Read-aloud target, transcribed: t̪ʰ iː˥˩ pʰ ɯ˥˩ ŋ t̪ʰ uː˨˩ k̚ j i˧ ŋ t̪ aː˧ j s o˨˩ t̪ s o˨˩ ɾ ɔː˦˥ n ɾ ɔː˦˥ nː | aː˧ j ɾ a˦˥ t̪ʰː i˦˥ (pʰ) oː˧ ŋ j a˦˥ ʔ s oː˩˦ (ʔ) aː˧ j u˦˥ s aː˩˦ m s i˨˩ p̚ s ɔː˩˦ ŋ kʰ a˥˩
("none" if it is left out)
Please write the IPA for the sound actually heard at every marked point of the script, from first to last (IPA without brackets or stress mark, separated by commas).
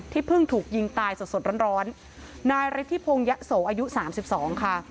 pʰ, ʔ